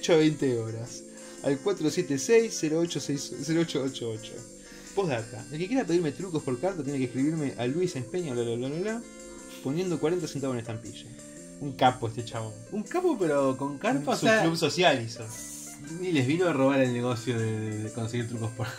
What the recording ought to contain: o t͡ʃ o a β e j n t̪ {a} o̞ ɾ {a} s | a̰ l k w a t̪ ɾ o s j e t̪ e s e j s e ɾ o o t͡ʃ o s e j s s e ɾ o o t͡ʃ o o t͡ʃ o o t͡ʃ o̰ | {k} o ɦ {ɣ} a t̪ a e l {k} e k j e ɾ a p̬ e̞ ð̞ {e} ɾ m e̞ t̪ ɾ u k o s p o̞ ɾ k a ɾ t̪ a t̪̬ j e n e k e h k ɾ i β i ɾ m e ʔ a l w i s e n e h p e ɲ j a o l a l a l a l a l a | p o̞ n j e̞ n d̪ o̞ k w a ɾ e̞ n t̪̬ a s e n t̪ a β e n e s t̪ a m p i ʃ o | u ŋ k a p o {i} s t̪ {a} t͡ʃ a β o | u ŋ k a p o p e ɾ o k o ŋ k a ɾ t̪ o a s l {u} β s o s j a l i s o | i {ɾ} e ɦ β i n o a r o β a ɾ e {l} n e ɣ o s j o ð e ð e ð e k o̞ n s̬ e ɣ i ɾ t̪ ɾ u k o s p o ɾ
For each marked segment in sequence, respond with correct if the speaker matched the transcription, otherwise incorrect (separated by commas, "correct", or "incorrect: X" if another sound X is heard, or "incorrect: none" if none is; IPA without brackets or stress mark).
incorrect: e, correct, incorrect: p, incorrect: ð, correct, incorrect: i, incorrect: e, incorrect: e, correct, incorrect: l, correct